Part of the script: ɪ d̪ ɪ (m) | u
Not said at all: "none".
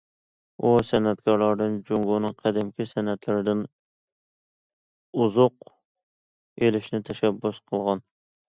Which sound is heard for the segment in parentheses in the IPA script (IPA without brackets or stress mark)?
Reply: n